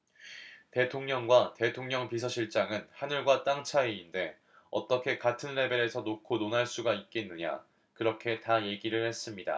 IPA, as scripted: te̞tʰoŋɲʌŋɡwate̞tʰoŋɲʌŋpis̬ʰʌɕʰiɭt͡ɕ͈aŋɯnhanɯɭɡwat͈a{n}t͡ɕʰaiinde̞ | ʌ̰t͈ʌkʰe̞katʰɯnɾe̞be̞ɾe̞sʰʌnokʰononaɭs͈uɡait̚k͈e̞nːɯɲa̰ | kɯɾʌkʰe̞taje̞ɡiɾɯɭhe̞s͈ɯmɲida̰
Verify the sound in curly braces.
incorrect: ŋ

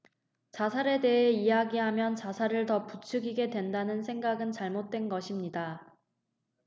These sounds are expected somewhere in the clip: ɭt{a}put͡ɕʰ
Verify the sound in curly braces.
incorrect: ʌ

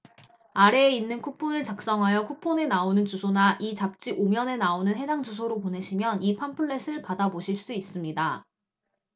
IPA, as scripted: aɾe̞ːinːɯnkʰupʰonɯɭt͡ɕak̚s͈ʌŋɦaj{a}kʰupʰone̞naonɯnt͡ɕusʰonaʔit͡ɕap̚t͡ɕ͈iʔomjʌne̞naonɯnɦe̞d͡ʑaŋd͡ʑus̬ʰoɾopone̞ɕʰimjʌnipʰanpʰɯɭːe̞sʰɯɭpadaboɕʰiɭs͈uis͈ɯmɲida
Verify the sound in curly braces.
incorrect: ʌ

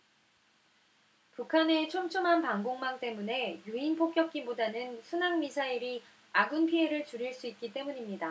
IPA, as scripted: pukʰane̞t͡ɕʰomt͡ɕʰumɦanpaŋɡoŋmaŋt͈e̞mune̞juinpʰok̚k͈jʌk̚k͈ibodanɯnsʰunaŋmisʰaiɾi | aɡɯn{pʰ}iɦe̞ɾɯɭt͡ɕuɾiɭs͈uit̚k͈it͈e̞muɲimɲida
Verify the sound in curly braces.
correct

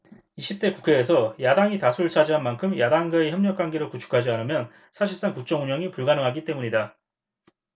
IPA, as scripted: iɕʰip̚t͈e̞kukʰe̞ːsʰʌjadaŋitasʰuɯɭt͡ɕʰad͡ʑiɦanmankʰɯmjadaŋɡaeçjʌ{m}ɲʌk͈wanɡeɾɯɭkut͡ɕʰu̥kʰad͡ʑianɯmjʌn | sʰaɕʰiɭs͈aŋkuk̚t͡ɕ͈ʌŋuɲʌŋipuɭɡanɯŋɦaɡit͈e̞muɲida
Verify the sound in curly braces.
correct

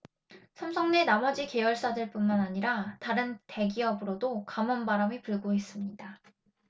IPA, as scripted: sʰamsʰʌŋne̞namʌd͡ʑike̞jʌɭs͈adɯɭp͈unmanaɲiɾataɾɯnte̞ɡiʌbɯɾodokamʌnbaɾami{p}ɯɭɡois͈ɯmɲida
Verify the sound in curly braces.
correct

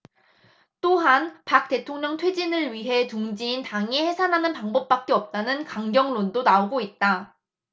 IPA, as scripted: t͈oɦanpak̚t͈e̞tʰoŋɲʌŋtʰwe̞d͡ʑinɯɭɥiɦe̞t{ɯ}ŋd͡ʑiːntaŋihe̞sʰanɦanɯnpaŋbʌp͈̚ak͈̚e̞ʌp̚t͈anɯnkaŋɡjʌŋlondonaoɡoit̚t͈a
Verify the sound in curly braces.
incorrect: u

